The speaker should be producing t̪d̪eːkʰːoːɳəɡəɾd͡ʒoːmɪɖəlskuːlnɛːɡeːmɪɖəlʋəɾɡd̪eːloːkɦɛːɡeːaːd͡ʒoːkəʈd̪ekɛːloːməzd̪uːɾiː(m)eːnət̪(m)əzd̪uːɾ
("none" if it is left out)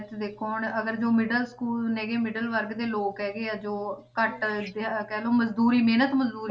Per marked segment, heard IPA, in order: m, m

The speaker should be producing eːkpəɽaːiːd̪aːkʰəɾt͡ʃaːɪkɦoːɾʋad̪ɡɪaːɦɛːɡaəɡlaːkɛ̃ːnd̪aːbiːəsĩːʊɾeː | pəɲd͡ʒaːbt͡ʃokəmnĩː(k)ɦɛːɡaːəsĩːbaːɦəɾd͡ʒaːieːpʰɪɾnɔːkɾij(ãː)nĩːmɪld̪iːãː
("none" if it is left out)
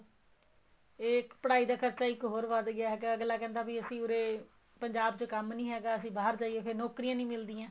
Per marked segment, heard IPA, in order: none, ãː

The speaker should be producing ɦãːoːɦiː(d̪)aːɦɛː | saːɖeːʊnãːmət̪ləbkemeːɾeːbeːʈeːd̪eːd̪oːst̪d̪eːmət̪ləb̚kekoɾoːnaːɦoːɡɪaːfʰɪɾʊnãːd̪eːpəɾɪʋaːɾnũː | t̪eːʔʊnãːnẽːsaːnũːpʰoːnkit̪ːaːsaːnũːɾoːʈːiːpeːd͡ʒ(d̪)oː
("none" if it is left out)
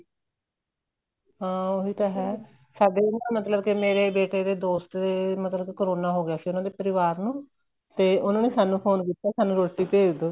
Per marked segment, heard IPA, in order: t̪, d̪

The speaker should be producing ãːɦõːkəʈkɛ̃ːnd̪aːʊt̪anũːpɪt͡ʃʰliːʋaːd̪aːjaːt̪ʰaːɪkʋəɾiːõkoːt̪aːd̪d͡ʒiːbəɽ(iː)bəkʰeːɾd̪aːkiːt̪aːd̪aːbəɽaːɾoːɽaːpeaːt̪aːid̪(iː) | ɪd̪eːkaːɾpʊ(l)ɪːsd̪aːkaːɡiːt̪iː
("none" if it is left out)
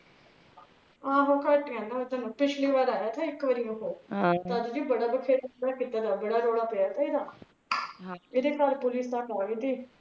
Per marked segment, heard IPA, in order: aː, aː, l

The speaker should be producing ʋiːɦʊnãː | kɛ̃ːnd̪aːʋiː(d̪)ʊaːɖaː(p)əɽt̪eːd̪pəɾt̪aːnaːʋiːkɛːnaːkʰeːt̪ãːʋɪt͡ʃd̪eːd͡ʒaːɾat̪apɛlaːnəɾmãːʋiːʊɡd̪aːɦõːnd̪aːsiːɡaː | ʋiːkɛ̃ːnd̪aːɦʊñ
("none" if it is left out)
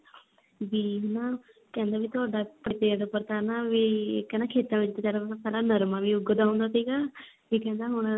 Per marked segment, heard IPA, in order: t̪, p

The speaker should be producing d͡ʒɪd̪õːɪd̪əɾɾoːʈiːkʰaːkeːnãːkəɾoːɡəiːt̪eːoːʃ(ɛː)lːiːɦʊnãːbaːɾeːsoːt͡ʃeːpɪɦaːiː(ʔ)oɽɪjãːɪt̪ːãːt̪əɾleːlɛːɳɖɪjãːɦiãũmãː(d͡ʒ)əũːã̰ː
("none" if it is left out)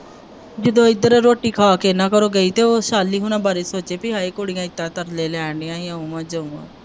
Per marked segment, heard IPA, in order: aː, k, d͡ʒ

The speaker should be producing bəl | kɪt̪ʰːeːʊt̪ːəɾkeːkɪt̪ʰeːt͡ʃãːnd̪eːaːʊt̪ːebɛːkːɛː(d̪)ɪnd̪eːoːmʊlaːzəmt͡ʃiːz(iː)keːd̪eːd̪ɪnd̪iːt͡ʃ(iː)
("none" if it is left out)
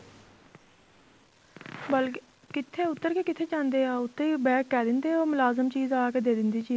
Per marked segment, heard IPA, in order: d̪, aː, iː

